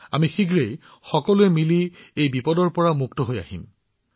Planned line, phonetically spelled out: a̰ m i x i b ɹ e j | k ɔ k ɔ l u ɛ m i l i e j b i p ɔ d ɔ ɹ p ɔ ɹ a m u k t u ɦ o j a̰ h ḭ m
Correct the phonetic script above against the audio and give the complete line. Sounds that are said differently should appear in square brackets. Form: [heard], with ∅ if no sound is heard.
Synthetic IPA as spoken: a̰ m i x i [ɡ] ɹ e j | [x] ɔ k ɔ l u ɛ m i l i e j b i p ɔ d ɔ ɹ p ɔ ɹ a m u k t [ɔ] ɦ o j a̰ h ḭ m